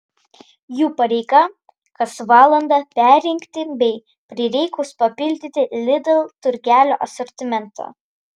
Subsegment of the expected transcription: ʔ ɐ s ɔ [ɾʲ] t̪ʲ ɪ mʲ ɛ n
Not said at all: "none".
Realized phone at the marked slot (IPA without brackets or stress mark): ɾʲ